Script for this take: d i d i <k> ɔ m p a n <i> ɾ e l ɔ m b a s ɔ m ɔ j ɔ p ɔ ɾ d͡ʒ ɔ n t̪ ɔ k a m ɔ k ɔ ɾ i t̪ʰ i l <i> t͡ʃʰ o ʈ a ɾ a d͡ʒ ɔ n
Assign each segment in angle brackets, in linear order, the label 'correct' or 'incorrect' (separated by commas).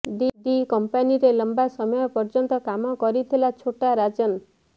correct, correct, incorrect